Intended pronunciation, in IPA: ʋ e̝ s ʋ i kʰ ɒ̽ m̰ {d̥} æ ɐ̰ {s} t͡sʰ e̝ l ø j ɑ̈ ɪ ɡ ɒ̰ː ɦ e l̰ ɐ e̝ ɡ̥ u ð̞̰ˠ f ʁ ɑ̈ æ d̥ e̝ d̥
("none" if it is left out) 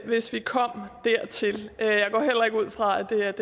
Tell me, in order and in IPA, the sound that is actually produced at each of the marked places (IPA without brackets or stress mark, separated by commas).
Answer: d̥, none